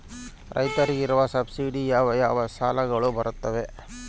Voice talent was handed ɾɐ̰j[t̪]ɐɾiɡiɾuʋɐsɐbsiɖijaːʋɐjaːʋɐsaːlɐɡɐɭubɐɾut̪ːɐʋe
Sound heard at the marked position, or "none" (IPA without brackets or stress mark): t̪